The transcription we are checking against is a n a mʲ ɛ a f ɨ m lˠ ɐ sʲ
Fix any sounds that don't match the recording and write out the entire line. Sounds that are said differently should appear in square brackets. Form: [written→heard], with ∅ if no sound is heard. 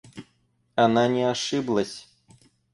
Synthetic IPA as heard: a n a [mʲ→nʲ] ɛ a [f→ʂ] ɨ [m→b] lˠ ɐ sʲ

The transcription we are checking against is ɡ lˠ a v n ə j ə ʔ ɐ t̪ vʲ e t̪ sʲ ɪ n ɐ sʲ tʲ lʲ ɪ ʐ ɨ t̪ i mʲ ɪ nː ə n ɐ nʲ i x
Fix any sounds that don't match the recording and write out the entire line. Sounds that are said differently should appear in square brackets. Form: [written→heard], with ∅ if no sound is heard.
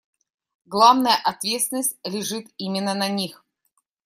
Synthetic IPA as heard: ɡ lˠ a v n ə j ə ʔ ɐ t̪ vʲ e t̪ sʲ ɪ n [ɐ→ə] sʲ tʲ lʲ ɪ ʐ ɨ t̪ i mʲ ɪ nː ə n ɐ nʲ i x

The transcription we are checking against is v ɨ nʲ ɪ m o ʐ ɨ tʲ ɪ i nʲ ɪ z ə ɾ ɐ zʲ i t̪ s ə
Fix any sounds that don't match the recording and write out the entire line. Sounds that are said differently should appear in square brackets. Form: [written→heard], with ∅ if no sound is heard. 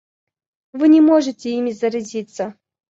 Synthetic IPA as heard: v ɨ nʲ ɪ m o ʐ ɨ tʲ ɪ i [nʲ→mʲ] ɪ z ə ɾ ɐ zʲ i t̪ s ə

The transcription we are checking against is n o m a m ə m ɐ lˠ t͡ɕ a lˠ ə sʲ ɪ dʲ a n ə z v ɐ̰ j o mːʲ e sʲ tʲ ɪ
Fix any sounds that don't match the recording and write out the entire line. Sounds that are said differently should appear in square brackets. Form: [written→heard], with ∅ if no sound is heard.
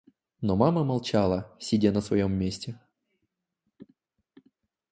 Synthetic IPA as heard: n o m a m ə m ɐ lˠ t͡ɕ a lˠ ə sʲ ɪ dʲ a n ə [z→s] v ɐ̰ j o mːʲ e sʲ tʲ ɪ

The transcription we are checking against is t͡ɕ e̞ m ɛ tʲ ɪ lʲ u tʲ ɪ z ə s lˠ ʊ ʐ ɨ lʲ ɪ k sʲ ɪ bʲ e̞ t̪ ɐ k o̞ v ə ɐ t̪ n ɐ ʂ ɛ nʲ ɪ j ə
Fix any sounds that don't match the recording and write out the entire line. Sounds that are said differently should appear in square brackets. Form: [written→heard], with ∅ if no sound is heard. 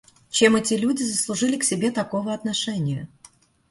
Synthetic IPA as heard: t͡ɕ e̞ m ɛ tʲ ɪ lʲ u [tʲ→dʲ] ɪ z ə s lˠ ʊ ʐ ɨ lʲ ɪ k sʲ ɪ bʲ e̞ t̪ ɐ k o̞ v ə ɐ t̪ n ɐ ʂ ɛ nʲ ɪ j ə

